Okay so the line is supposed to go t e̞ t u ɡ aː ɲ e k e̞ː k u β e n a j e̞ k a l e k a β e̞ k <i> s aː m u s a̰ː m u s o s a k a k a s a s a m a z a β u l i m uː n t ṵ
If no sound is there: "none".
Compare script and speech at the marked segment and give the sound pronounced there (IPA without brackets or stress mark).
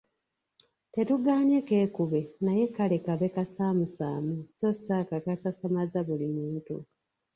a